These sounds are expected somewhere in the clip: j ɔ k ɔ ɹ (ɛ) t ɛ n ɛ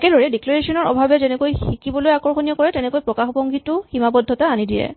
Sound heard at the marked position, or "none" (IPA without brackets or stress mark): ɛ